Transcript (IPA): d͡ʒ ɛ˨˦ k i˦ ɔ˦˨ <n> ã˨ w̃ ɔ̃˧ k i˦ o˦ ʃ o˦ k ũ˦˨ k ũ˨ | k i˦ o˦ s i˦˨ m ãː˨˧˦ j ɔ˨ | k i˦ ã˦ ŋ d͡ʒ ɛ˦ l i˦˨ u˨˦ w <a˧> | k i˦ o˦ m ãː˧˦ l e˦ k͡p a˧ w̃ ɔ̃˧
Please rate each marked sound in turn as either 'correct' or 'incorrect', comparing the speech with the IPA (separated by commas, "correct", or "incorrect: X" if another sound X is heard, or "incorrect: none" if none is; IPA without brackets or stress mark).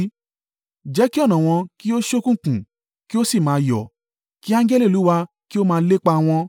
correct, correct